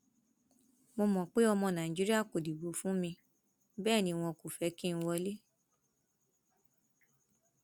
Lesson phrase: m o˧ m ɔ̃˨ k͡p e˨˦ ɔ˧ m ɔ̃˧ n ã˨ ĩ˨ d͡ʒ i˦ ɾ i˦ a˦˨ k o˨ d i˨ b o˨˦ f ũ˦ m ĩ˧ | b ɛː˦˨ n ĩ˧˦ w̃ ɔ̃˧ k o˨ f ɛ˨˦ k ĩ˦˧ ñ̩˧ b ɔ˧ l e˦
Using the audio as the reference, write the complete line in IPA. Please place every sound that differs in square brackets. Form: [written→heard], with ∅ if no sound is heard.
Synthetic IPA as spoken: m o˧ m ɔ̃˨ k͡p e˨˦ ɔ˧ m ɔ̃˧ n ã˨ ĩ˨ d͡ʒ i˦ ɾ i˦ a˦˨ k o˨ d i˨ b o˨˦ f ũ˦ m ĩ˧ | b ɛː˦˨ n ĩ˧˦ w̃ ɔ̃˧ k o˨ f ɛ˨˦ k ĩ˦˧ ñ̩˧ [b→w] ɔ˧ l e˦